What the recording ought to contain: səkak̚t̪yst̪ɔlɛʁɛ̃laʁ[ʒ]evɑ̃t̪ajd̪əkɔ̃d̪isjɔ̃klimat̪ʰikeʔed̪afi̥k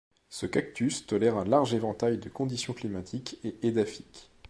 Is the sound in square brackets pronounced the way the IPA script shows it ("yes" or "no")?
yes